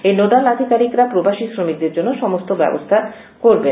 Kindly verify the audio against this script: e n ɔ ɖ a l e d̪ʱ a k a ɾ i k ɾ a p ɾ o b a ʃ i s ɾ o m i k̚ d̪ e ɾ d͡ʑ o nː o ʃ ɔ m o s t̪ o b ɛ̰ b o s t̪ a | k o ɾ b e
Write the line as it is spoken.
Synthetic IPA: e n o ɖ a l a d̪ʱ i k a ɾ i k ɾ a p ɾ o b a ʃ i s ɾ o m i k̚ d̪ e ɾ d͡ʑ o nː o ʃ ɔ m o s t̪ o b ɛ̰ b o s t̪ʰ a | k o ɾ b e